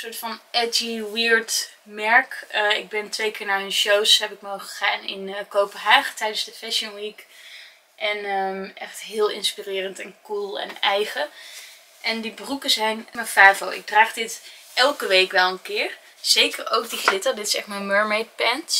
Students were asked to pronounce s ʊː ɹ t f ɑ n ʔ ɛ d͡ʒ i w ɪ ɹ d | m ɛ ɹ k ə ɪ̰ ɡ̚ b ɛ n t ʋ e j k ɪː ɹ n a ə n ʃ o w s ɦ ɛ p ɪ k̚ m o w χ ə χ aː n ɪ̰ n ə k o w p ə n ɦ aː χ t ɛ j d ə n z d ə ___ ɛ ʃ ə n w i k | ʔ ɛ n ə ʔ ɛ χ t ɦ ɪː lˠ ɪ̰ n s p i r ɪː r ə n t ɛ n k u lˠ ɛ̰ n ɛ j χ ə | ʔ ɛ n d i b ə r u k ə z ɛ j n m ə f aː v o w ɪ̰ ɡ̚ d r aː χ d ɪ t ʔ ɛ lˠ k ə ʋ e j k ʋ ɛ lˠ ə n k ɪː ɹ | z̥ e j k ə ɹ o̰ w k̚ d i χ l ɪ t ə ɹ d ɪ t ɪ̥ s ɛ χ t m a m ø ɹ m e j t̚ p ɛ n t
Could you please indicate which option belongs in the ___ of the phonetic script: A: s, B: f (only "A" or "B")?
B